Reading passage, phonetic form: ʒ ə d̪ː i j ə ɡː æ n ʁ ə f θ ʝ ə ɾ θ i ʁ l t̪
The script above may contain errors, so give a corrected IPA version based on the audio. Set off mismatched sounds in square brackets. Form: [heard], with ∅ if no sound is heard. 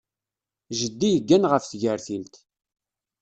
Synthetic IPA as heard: ʒ ə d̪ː i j ə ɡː æ n ʁ ə f θ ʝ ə ɾ θ i [∅] l t̪